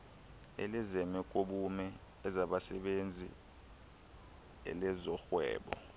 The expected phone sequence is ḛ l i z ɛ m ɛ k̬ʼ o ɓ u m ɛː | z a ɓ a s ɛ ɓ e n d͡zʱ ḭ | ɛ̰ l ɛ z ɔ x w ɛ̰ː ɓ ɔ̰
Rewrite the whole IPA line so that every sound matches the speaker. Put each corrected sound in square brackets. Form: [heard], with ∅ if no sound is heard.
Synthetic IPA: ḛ l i z ɛ m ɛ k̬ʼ o ɓ u m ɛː | z a ɓ a s ɛ ɓ e n d͡zʱ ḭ | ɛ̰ l ɛ z ɔ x w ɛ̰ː ɓ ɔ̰